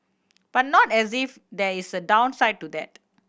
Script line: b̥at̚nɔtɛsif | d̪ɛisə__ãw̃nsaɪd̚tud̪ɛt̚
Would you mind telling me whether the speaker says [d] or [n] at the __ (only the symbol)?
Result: d